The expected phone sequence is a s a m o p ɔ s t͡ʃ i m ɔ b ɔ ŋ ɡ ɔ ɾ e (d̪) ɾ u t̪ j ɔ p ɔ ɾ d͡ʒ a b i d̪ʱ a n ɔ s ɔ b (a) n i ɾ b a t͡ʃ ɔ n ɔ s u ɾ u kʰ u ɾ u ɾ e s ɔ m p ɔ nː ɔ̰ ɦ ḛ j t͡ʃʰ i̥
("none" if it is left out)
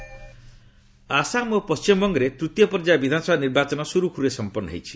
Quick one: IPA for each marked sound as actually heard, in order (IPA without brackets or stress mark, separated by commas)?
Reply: t̪, a